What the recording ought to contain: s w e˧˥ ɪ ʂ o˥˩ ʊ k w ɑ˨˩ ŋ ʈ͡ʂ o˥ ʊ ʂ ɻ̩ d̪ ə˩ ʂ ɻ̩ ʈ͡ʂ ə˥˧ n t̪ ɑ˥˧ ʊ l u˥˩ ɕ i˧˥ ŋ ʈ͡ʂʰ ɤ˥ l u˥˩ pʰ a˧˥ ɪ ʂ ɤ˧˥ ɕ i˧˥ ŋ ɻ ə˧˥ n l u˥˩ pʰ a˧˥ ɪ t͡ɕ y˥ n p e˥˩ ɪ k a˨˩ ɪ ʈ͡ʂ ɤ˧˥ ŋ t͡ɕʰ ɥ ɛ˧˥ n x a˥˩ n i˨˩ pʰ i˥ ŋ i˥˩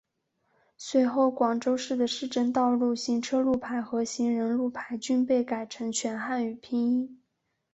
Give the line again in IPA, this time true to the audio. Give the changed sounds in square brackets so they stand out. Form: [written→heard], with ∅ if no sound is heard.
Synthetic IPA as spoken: s w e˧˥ ɪ [ʂ→x] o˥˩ ʊ k w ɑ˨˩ ŋ ʈ͡ʂ o˥ ʊ ʂ ɻ̩ d̪ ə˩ ʂ ɻ̩ ʈ͡ʂ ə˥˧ n t̪ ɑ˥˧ ʊ l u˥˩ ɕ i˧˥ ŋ ʈ͡ʂʰ ɤ˥ l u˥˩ pʰ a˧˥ ɪ [ʂ→x] ɤ˧˥ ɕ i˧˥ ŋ ɻ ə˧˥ n l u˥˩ pʰ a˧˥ ɪ t͡ɕ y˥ n p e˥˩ ɪ k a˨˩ ɪ [ʈ͡ʂ→ʈ͡ʂʰ] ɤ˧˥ ŋ t͡ɕʰ ɥ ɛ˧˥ n x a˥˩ n [i˨˩→y˨˩] pʰ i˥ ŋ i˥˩